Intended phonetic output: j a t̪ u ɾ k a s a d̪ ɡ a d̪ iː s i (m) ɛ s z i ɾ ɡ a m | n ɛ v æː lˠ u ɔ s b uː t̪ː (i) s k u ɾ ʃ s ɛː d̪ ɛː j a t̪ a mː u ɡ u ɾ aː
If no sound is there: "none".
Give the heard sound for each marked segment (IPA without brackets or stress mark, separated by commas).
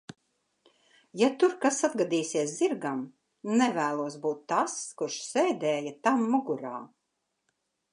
none, a